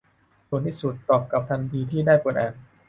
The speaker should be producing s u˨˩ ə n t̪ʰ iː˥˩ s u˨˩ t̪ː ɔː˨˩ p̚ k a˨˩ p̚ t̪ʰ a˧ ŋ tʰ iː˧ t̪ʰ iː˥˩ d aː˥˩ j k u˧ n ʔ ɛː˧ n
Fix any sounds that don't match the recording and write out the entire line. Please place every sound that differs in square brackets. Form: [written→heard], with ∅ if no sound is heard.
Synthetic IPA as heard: s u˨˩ ə n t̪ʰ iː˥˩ s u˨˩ t̪ː ɔː˨˩ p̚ k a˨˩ p̚ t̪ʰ a˧ [ŋ→n] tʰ iː˧ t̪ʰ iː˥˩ d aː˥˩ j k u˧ n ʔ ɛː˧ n